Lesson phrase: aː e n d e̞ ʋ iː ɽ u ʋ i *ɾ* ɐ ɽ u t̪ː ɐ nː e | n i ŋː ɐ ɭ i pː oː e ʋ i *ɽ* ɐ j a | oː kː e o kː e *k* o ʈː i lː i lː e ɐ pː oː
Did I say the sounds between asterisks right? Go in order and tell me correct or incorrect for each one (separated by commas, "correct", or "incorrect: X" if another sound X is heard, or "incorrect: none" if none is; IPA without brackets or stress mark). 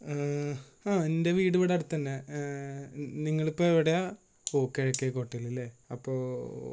incorrect: ɽ, correct, correct